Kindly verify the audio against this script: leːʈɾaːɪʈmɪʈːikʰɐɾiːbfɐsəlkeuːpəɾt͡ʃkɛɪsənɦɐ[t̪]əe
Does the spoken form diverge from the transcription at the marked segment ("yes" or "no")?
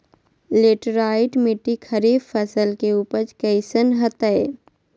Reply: no